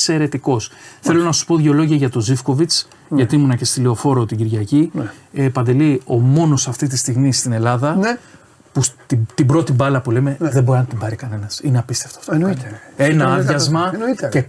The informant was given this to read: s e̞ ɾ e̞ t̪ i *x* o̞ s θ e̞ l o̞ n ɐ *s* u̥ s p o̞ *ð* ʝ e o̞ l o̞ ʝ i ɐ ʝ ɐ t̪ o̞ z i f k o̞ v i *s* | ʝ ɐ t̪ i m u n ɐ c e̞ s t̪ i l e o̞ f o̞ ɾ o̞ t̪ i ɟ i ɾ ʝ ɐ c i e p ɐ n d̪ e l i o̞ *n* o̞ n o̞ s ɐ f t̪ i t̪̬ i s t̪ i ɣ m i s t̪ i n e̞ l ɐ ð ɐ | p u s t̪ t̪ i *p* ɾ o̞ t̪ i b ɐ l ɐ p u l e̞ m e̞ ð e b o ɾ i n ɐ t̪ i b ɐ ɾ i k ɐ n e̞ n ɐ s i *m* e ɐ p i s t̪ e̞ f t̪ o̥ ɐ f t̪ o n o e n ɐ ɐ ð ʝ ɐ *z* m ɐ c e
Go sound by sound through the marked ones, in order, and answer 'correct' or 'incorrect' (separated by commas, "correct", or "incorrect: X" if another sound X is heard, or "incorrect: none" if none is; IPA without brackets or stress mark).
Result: incorrect: k, correct, correct, incorrect: t͡s, incorrect: m, incorrect: b, incorrect: n, correct